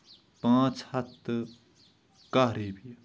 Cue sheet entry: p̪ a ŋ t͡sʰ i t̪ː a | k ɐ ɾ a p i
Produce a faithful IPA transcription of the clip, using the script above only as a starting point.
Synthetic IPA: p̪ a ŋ t͡sʰ a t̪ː ə | k a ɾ e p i